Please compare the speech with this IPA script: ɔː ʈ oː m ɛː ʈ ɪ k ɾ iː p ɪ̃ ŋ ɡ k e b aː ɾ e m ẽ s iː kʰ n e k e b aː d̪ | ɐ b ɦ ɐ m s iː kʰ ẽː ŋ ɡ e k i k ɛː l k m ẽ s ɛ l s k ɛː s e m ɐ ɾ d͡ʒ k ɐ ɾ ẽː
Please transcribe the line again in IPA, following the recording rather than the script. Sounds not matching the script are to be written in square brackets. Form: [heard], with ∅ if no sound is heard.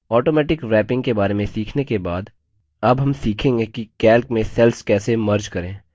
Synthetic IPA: ɔː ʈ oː m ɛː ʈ ɪ k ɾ [ɛː] p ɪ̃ ŋ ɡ k e b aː ɾ e m ẽ s iː kʰ n e k e b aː d̪ | ɐ b ɦ ɐ m s iː kʰ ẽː ŋ ɡ e k i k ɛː l k m ẽ s ɛ l s k ɛː s e m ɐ ɾ d͡ʒ k ɐ ɾ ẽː